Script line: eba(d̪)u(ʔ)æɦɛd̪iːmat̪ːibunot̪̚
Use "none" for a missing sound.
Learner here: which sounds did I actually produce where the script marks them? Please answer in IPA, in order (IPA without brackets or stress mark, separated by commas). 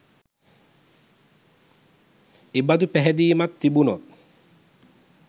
d̪, p